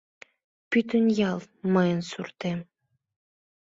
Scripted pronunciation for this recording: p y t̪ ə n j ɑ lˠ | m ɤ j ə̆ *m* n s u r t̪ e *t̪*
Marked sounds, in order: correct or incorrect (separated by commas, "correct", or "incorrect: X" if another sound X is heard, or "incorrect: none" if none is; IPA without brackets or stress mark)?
incorrect: none, incorrect: none